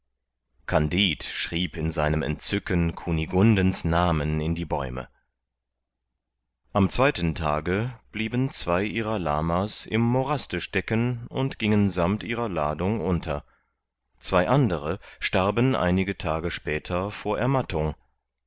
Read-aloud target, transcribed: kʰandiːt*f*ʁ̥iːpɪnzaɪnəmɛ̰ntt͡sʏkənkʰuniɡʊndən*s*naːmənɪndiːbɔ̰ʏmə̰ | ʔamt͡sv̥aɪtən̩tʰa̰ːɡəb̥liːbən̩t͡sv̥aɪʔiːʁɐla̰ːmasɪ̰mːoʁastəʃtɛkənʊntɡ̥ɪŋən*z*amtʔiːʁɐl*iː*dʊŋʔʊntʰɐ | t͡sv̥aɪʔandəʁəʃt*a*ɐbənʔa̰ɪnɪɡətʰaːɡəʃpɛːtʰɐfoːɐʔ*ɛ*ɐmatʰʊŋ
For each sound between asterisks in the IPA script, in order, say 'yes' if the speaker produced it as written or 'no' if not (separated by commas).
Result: no, yes, yes, no, yes, yes